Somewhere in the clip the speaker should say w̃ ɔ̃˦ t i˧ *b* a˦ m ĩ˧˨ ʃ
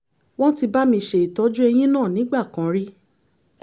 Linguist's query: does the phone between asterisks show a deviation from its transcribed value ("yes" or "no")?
no